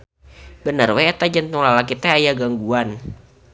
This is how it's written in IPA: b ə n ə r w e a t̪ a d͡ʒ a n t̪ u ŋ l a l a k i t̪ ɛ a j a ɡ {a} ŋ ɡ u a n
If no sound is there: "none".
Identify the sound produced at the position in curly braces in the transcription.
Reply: a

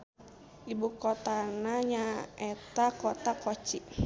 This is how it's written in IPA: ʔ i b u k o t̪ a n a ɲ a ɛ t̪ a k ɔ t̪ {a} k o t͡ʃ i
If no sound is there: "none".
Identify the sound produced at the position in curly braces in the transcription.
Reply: a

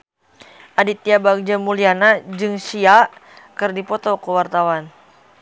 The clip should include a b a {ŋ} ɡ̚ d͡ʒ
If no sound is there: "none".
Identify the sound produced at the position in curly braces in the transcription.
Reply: none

